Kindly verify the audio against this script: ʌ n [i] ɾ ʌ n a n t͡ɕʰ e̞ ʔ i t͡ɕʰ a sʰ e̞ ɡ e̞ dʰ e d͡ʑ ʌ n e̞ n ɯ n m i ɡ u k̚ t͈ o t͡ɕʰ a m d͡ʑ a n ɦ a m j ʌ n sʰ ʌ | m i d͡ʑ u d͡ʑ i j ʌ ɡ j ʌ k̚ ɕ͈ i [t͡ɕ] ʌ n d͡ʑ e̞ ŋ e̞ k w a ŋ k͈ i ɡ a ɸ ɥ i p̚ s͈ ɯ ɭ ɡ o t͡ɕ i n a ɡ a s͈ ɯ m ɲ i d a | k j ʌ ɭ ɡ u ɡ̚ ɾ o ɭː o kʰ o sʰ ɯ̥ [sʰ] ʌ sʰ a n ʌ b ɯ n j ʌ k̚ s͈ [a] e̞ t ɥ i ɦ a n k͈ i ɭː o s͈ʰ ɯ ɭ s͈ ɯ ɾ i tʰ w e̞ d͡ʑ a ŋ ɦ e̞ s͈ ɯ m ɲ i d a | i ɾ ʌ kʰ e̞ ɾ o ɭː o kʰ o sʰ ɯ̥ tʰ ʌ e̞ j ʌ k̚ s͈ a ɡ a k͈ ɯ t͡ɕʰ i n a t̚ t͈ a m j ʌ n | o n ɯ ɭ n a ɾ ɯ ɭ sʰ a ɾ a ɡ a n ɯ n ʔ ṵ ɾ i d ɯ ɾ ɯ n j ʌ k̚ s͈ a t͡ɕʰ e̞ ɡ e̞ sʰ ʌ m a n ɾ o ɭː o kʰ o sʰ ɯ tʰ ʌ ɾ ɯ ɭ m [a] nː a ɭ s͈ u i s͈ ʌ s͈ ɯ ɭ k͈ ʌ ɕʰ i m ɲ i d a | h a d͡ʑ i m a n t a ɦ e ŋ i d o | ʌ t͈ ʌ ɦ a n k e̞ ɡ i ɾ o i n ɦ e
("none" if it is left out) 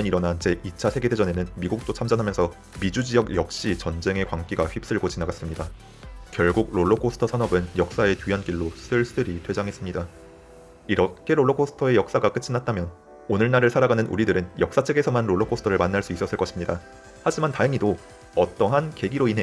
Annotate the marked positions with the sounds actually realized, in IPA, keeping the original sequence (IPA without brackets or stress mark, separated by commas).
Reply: i, t͡ɕ, tʰ, a, a